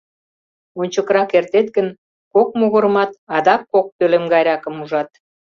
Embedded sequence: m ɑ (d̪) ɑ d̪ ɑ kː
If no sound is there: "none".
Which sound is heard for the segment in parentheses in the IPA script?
t̪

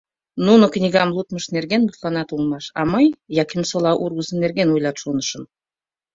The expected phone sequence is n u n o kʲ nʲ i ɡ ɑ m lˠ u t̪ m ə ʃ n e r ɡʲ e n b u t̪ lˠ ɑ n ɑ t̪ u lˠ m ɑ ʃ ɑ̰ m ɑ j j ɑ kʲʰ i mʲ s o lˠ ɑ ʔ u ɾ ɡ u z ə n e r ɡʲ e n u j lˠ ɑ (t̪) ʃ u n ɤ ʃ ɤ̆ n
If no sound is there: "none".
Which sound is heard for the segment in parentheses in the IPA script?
t̪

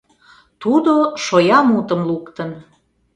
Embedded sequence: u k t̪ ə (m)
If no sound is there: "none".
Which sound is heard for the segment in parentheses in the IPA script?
n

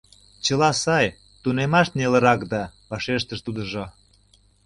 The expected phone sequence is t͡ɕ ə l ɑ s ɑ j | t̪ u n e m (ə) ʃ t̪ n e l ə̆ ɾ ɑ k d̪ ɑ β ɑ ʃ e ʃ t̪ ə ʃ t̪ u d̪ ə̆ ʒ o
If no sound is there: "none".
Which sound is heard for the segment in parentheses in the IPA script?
ɑ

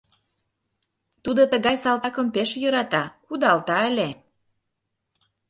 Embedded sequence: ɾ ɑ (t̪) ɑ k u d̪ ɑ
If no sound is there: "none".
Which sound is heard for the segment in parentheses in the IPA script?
t̪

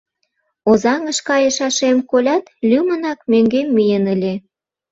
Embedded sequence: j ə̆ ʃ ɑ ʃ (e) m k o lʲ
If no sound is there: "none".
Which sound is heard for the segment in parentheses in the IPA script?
e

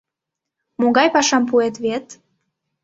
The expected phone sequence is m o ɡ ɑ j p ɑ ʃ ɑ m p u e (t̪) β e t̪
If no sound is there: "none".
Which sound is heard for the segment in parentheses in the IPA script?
t̪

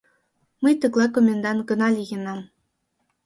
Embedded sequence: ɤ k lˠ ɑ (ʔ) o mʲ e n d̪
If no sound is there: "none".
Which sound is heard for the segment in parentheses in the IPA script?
k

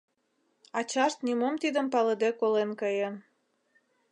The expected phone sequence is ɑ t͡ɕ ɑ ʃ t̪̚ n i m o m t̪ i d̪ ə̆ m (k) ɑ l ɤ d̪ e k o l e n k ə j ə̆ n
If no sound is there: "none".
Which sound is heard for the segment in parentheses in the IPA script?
p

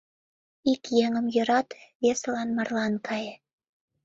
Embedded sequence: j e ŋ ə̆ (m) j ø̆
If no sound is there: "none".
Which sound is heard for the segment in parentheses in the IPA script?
m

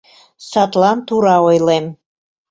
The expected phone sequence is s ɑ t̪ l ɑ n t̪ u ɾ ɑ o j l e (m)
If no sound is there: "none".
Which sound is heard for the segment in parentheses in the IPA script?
m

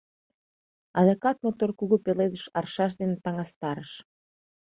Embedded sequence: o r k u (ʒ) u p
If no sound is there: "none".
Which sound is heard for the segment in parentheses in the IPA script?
ɣ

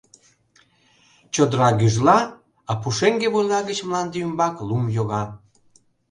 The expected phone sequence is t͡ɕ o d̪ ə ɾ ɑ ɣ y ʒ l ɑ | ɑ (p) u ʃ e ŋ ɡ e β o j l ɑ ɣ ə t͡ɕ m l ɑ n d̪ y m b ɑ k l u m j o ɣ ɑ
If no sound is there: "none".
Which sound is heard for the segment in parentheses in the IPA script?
p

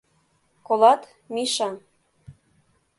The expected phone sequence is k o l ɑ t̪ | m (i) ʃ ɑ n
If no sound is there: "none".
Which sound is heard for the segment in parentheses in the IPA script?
i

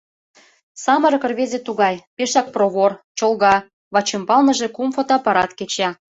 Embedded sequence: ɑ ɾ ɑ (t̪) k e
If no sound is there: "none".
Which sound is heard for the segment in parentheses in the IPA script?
t̪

